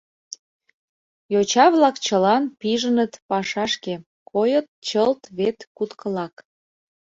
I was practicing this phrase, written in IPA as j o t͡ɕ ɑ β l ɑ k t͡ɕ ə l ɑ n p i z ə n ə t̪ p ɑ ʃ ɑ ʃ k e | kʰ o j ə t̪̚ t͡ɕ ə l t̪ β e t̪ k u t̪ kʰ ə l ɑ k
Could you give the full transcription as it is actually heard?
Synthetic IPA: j o t͡ɕ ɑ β l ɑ k t͡ɕ ə l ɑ n p i ʒ ə n ə t̪ p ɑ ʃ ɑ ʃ k e | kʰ o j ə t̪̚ t͡ɕ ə l t̪ β e t̪ k u t̪ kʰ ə l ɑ k